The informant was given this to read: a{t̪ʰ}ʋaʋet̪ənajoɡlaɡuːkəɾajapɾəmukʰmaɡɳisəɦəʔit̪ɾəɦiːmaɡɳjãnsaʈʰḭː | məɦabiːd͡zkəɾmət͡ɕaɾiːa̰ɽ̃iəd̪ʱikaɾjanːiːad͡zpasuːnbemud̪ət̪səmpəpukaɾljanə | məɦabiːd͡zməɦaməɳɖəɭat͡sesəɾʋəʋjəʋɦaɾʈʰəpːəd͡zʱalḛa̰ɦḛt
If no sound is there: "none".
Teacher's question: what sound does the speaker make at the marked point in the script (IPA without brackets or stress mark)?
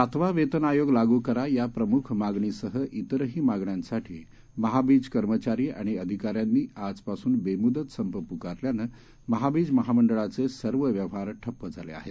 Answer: t̪ʰ